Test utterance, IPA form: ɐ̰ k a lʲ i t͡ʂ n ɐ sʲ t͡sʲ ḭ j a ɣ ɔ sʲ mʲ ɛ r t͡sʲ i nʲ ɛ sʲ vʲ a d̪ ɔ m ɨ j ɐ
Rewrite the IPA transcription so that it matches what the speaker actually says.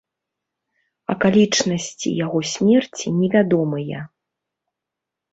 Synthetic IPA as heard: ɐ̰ k a lʲ i t͡ʂ n ɐ sʲ t͡sʲ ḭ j a ɣ ɔ sʲ mʲ ɛ r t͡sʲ i nʲ ɛ vʲ a d̪ ɔ m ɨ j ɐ